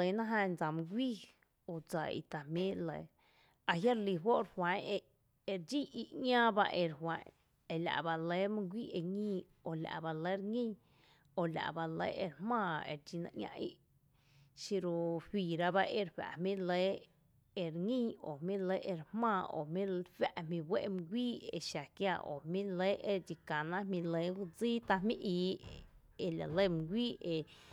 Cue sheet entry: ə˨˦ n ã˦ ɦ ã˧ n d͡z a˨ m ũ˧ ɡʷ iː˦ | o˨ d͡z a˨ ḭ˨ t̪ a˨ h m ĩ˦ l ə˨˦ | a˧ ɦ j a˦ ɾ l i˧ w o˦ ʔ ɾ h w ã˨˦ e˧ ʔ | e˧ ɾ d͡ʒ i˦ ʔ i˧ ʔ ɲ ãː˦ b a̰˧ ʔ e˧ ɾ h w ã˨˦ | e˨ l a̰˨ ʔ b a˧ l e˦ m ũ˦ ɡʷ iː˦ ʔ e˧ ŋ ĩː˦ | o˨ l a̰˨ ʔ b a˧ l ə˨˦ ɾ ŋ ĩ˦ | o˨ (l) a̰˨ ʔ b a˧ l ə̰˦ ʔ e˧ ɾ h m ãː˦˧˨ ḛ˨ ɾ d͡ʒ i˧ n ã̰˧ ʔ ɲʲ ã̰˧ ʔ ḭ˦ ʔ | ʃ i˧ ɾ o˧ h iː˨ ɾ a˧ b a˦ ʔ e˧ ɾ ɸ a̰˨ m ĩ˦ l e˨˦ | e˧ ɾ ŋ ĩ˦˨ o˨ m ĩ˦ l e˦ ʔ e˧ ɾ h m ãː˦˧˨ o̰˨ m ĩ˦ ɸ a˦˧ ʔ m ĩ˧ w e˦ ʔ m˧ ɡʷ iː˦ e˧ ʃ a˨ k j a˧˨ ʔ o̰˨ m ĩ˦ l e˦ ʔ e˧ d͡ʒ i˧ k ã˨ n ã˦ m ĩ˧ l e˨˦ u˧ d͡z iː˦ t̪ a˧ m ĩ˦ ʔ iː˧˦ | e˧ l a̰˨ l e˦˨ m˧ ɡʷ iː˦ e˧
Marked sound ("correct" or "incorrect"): correct